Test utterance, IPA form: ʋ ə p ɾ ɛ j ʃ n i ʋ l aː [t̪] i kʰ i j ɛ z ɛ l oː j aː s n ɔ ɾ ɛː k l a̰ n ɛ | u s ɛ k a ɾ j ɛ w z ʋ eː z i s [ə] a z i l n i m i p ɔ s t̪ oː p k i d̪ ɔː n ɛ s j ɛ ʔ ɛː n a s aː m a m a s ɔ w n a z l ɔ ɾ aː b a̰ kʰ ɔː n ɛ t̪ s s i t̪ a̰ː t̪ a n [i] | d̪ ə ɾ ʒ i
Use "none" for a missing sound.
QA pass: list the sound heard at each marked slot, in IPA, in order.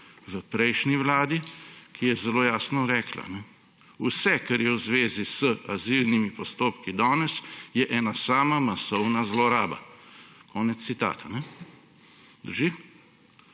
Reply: d̪, ə, ɛ

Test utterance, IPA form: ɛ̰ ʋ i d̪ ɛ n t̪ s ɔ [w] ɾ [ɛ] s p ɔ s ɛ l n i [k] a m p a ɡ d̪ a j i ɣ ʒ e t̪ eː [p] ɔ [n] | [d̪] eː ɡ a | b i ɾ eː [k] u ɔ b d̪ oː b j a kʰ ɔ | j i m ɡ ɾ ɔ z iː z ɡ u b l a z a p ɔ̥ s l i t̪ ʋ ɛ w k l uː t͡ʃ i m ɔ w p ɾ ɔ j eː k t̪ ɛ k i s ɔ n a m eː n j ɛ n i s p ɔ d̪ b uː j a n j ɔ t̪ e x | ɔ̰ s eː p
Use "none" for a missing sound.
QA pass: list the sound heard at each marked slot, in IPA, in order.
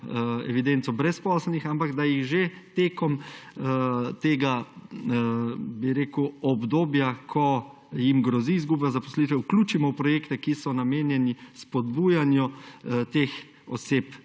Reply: b, ɛ, x, k, m, t̪, k

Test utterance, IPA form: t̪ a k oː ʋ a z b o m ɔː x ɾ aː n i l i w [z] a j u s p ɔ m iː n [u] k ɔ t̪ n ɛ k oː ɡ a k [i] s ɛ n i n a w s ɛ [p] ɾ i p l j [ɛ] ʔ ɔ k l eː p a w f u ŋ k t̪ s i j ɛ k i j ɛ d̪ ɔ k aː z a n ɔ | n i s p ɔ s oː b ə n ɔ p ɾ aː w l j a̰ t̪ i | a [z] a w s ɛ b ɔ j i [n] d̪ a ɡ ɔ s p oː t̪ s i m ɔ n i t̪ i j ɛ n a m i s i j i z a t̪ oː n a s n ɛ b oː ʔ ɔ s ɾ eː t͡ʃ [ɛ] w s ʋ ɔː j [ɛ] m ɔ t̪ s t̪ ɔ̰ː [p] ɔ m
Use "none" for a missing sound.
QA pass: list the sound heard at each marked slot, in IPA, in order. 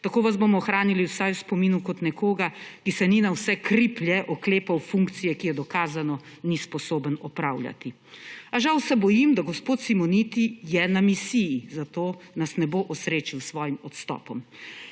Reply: s, u, i, k, ɛ, ʒ, m, i, i, p

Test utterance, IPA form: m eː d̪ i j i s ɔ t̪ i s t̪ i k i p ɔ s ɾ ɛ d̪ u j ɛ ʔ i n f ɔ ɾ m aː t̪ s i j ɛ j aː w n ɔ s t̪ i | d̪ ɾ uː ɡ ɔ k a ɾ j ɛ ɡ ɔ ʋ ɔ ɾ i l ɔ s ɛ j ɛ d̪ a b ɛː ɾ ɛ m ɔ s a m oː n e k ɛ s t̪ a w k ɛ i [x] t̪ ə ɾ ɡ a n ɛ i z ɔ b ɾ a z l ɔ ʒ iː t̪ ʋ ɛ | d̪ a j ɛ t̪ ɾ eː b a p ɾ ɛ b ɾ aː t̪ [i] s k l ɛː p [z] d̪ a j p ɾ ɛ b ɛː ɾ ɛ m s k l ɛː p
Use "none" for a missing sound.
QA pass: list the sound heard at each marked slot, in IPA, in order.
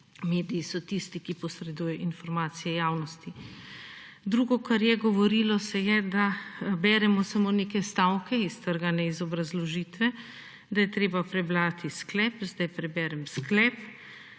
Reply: s, i, z

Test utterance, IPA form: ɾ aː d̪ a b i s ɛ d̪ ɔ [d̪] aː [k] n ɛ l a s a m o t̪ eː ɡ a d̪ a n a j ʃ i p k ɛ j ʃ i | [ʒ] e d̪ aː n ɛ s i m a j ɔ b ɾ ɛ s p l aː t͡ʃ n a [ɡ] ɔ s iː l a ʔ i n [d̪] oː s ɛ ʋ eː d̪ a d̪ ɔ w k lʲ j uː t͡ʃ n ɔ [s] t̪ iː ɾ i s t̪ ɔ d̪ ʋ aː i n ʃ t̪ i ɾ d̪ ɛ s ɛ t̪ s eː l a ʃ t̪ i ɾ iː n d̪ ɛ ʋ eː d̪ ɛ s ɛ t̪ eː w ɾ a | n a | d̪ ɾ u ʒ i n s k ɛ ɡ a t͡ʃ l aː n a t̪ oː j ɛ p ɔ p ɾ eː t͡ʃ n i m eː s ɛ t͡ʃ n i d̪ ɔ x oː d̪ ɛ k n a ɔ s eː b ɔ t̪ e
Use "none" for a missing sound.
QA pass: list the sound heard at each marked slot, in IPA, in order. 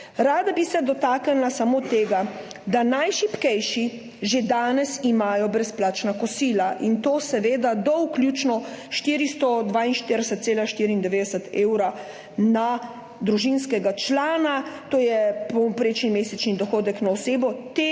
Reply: t̪, k, ʒ, k, t̪, ʃ

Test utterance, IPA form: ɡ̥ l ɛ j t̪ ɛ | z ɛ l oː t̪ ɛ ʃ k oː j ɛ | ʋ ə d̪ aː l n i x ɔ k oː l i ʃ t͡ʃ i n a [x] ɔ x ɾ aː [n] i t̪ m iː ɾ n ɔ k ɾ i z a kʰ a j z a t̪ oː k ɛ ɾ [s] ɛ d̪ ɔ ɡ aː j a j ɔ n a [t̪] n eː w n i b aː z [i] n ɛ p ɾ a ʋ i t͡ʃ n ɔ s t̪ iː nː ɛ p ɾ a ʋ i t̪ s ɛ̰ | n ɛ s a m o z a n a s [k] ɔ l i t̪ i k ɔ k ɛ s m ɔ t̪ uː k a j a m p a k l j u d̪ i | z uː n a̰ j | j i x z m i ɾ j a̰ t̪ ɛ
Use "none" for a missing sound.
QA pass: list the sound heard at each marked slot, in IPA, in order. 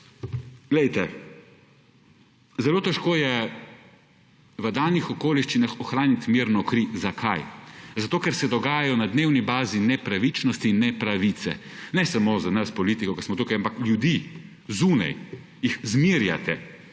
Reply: x, n, s, d̪, i, p

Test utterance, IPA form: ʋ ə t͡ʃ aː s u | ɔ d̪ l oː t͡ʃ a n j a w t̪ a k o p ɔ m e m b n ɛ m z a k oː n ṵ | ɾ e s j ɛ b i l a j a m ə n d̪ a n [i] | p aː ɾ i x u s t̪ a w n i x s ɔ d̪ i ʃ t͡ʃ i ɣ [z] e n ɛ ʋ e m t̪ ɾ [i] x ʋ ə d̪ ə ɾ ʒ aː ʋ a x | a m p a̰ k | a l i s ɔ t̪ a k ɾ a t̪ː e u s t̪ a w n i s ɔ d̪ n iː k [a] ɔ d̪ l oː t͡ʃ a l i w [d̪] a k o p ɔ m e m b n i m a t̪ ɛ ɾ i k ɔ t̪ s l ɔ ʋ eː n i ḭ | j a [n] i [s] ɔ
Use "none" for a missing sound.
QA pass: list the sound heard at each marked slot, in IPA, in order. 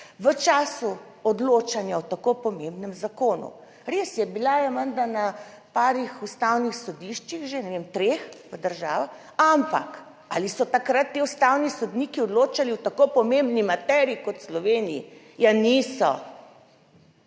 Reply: a, ʒ, e, i, t̪, n, s

